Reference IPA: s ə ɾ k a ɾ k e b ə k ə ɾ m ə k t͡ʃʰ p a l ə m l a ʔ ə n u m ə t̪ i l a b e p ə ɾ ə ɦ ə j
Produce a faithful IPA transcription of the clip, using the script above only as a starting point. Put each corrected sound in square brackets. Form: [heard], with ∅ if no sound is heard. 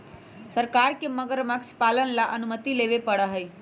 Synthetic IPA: s ə ɾ k a ɾ k e [m] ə [ɡ] ə ɾ m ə k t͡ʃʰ p a l ə [n] l a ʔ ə n u m ə t̪ i l [e] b e p ə [ɽ] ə ɦ ə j